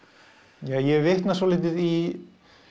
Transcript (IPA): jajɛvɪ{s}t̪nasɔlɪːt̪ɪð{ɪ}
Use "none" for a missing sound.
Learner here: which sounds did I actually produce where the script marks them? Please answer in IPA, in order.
h, i

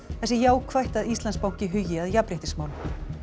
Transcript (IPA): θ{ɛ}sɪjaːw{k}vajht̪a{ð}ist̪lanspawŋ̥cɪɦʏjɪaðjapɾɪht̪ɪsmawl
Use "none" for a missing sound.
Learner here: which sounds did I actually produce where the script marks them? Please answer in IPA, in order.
ɛ, kʰ, ð

